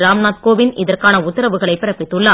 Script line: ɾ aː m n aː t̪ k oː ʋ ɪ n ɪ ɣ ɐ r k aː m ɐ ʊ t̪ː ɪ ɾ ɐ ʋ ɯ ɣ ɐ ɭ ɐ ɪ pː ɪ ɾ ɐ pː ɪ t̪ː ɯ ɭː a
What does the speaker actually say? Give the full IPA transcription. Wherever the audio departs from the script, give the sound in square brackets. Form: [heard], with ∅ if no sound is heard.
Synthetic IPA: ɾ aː m n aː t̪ k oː ʋ ɪ n ɪ [ð] ɐ r k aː [n] ɐ ʊ t̪ː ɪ ɾ ɐ ʋ ɯ ɣ ɐ ɭ ɐ ɪ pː ɪ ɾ ɐ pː ɪ t̪ː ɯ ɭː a